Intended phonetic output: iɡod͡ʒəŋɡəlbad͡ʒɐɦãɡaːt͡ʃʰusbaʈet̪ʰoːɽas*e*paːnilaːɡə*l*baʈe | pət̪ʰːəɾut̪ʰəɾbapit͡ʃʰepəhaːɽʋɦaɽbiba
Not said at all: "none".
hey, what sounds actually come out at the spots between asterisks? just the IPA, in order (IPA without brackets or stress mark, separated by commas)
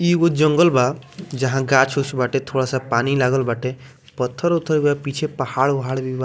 a, l